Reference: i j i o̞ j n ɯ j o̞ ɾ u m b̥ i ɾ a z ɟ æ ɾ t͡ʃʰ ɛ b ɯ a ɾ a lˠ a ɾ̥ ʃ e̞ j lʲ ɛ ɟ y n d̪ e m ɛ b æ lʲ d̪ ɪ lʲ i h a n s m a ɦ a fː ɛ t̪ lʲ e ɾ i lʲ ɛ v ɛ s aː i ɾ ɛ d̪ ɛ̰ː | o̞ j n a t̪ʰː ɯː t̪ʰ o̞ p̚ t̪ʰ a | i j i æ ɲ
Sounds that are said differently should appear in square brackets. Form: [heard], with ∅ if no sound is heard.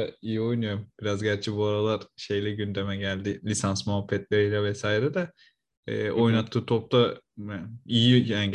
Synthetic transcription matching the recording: i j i o̞ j n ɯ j o̞ ɾ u m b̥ i ɾ a z ɟ æ ɾ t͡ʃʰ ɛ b [u] a ɾ a lˠ a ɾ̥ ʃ e̞ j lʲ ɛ ɟ y n d̪ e m ɛ [ɟ] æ lʲ d̪ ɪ lʲ i [s] a n s m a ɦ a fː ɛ t̪ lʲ e ɾ i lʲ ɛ v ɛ s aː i ɾ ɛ d̪ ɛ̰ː | o̞ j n a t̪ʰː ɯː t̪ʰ o̞ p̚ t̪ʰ a | i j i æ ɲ